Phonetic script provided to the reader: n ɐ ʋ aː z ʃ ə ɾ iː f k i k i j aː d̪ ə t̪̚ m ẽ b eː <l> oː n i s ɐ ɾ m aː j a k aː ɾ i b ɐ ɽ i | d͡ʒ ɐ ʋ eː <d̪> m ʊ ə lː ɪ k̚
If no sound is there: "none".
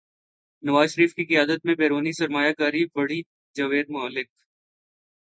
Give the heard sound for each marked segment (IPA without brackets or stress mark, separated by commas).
ɾ, d̪